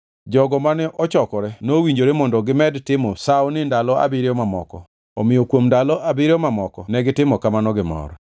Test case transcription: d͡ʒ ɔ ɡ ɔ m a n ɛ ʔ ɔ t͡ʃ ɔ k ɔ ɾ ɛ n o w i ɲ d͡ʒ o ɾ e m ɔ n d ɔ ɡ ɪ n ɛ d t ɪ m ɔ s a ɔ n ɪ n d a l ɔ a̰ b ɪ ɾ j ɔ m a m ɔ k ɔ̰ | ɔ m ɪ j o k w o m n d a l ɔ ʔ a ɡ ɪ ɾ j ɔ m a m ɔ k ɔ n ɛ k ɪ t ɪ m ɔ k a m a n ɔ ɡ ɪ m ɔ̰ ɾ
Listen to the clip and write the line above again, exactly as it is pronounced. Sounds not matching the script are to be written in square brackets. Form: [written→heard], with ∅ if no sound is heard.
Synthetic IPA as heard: d͡ʒ ɔ ɡ ɔ m a n ɛ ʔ ɔ t͡ʃ ɔ k ɔ ɾ ɛ n o w i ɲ d͡ʒ o ɾ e m ɔ n d ɔ ɡ ɪ [n→m] ɛ d t ɪ m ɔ s a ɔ n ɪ n d a l ɔ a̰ b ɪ ɾ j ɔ m a m ɔ k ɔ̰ | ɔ m ɪ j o k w o m n d a l ɔ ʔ a [ɡ→b] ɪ ɾ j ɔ m a m ɔ k ɔ n ɛ [k→ɡ] ɪ t ɪ m ɔ k a m a n ɔ ɡ ɪ m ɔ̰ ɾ